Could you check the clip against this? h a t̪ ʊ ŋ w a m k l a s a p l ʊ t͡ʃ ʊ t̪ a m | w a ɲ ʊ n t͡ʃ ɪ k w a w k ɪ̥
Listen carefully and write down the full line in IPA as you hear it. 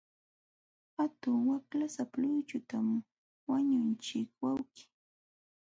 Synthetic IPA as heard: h a t̪ ʊ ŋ w a k l a s a p l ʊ t͡ʃ ʊ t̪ a m | w a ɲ ʊ n t͡ʃ ɪ k w a w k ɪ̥